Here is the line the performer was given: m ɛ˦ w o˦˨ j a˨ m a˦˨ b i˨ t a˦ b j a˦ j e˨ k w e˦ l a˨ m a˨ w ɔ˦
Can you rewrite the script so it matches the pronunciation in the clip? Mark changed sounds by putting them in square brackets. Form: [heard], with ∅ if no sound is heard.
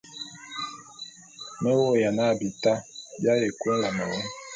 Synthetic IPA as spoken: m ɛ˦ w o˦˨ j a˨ [n] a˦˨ b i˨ t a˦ b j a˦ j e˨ k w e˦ l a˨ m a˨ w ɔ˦